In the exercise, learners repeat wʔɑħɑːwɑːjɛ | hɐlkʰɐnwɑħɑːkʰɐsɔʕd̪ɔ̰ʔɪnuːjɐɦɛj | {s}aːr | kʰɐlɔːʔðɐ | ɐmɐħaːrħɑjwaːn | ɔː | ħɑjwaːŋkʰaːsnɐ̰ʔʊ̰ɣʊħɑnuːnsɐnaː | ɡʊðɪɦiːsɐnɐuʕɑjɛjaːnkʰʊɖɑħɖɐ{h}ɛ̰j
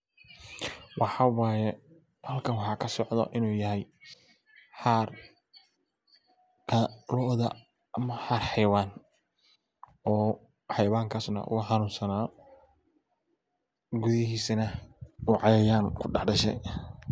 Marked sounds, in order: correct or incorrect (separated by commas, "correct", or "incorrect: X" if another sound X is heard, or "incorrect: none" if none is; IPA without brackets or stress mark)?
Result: incorrect: ħ, incorrect: ʃ